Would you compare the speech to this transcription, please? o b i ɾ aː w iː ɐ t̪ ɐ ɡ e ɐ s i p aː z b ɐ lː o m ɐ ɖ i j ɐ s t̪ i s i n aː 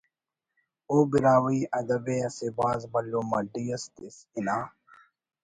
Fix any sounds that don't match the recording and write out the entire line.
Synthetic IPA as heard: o b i ɾ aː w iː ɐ d̪ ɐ b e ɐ s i b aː z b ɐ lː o m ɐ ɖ i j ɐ s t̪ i s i n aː